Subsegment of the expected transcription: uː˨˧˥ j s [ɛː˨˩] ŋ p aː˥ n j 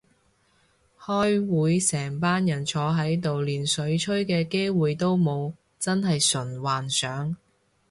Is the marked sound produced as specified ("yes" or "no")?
yes